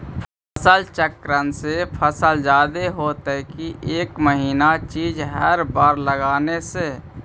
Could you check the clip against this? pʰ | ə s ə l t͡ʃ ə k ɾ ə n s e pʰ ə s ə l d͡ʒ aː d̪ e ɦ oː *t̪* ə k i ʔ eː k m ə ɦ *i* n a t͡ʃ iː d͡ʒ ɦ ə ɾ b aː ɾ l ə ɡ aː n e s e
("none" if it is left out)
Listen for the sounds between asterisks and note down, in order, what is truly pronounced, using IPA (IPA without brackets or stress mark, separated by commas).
t̪, iː